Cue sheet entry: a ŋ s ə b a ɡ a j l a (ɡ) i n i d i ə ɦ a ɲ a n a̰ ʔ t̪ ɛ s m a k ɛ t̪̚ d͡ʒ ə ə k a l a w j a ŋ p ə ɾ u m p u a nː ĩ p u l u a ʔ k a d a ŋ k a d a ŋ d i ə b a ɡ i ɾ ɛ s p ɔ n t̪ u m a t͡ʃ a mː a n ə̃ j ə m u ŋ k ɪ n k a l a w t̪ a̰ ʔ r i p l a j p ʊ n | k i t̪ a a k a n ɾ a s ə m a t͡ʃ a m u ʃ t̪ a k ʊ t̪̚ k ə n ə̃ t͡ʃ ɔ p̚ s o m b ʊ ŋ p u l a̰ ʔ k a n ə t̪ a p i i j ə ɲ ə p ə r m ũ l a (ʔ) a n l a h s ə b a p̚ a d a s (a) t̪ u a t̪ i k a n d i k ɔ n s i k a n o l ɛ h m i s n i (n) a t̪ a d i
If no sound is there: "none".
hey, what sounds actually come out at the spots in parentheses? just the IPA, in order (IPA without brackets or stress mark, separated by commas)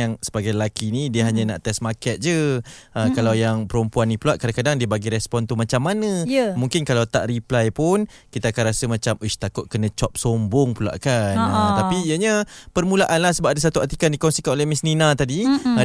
k, ʔ, a, n